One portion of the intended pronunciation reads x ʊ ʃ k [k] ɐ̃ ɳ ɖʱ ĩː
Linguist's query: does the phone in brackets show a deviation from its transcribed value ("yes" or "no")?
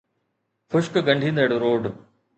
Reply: yes